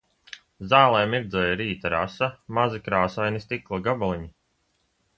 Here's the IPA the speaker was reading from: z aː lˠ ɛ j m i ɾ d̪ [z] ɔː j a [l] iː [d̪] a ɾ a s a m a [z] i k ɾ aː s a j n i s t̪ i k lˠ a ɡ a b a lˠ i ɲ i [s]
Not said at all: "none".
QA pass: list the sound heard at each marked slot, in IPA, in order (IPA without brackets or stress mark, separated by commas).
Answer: z, ɾ, t̪, z, none